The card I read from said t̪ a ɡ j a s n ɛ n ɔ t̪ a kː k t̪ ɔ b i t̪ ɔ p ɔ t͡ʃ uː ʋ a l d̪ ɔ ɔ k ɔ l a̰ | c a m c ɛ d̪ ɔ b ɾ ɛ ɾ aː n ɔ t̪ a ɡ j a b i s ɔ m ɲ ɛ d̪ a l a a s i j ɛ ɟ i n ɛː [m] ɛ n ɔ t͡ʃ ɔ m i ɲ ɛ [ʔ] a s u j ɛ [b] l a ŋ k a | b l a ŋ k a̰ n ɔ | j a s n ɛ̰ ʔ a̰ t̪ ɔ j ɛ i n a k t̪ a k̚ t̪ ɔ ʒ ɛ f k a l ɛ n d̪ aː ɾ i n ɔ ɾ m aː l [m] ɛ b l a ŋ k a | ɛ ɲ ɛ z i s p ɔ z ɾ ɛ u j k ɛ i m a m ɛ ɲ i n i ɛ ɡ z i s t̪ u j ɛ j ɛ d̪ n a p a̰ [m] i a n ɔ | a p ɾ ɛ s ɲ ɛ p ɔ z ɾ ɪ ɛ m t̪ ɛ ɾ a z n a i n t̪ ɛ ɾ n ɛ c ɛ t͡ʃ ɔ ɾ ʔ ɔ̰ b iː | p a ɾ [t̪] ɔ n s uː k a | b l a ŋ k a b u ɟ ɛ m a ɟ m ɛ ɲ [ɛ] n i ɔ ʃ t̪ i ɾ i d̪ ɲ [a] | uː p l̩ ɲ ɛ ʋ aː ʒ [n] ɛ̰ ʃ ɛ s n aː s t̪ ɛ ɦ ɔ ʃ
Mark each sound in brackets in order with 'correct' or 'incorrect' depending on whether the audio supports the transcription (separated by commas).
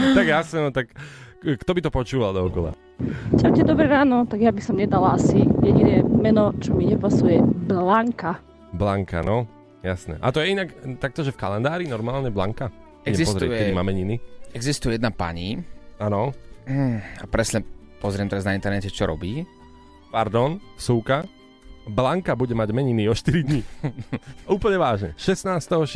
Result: correct, incorrect, correct, incorrect, incorrect, incorrect, incorrect, incorrect, incorrect